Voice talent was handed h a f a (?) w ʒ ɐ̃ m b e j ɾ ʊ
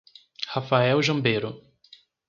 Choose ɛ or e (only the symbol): ɛ